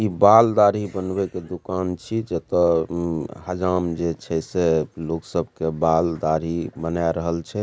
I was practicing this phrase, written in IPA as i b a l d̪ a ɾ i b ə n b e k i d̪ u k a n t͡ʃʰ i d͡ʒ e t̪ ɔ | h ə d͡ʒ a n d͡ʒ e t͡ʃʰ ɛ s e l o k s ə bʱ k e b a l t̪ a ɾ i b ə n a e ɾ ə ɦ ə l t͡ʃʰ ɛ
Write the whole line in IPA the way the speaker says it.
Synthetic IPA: i b a l d̪ a ɾ i b ə n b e k e d̪ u k a n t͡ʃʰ i d͡ʒ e t̪ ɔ | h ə d͡ʒ a m d͡ʒ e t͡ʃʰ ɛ s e l o k s ə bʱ k e b a l d̪ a ɾ i b ə n a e ɾ ə ɦ ə l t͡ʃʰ ɛ